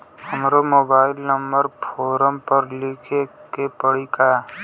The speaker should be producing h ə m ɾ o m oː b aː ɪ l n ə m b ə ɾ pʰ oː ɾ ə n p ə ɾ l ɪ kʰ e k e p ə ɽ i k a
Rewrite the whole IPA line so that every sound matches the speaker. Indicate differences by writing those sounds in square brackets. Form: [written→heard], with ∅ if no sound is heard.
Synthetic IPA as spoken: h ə m ɾ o m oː b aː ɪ l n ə m b ə ɾ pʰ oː ɾ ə [n→m] p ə ɾ l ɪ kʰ e k e p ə ɽ i k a